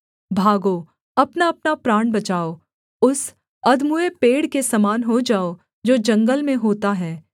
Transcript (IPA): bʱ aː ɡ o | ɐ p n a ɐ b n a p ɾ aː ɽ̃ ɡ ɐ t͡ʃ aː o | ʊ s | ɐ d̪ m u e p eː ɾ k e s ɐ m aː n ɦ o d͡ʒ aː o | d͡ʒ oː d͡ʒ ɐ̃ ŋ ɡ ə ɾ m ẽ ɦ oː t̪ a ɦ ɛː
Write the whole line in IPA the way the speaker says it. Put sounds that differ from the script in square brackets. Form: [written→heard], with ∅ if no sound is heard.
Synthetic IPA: bʱ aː ɡ o | ɐ p n a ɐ [b→p] n a p ɾ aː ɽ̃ [ɡ→b] ɐ t͡ʃ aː o | ʊ s | ɐ d̪ m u e p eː [ɾ→ɽ] k e s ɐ m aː n ɦ o d͡ʒ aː o | d͡ʒ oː d͡ʒ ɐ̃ ŋ ɡ ə [ɾ→l] m ẽ ɦ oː t̪ a ɦ ɛː